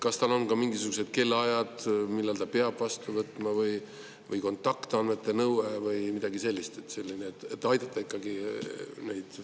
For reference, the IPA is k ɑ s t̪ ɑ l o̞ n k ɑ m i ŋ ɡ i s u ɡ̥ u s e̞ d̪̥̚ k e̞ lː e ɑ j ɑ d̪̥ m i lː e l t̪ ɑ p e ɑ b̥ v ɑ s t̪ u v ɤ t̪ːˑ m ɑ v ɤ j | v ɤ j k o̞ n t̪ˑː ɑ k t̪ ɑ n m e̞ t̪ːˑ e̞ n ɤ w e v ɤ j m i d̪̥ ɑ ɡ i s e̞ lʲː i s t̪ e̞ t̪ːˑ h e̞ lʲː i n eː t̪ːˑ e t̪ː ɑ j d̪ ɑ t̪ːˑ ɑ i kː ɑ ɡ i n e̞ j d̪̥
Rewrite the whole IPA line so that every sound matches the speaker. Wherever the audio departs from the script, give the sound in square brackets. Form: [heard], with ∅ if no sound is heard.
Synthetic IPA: k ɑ s t̪ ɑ l o̞ n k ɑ m i ŋ ɡ i s u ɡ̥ u s e̞ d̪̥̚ k e̞ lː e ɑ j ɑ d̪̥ m i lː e l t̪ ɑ p e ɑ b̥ v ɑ s t̪ u v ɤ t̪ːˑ m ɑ v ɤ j | v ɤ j k o̞ n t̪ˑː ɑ k t̪ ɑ n m e̞ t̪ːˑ e̞ n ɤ w e v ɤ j m i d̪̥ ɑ ɡ i s e̞ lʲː i s t̪ e̞ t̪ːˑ [s] e̞ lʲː i n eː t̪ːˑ e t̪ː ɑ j d̪ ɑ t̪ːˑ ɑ i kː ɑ ɡ i n e̞ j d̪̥